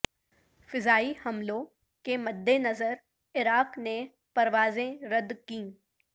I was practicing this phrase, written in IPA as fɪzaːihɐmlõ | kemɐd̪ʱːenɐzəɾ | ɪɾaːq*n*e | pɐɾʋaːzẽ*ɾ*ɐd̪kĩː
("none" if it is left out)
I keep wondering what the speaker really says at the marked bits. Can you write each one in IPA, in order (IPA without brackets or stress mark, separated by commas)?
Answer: n, ɾ